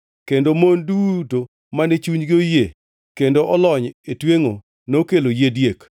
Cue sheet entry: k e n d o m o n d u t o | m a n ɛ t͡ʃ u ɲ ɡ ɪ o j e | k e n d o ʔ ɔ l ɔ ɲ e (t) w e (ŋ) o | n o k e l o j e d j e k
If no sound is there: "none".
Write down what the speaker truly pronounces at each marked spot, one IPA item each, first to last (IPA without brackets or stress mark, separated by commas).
t, ŋ